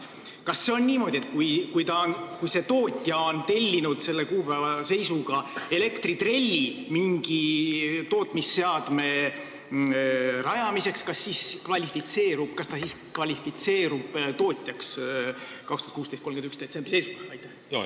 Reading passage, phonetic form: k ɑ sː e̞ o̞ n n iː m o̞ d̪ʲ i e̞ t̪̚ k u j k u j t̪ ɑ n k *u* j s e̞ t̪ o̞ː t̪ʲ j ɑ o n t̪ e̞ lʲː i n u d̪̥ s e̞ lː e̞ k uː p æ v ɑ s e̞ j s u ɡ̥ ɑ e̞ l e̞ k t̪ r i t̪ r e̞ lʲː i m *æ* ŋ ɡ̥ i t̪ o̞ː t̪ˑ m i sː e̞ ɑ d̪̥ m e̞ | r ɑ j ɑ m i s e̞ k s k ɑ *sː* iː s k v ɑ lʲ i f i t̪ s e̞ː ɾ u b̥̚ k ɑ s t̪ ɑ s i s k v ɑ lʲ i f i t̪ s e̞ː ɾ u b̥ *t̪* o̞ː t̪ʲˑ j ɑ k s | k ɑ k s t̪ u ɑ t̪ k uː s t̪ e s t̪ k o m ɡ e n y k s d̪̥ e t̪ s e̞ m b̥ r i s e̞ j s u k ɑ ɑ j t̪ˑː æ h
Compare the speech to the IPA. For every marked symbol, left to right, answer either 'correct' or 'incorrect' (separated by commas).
correct, incorrect, correct, correct